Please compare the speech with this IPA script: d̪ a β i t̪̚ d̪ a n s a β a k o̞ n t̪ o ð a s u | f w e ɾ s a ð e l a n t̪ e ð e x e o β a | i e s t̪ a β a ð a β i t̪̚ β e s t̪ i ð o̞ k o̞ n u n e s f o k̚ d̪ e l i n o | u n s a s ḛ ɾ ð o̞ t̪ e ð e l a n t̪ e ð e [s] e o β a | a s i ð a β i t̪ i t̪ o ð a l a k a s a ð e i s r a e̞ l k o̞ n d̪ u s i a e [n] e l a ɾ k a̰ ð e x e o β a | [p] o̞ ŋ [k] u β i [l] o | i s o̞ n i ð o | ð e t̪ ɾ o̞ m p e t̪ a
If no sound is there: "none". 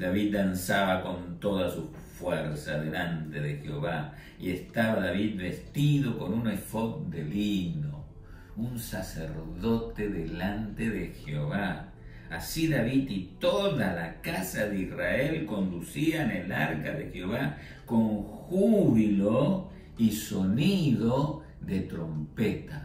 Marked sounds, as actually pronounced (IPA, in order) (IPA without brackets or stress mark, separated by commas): x, n, k, x, l